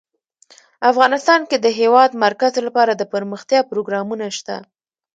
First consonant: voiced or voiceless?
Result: voiceless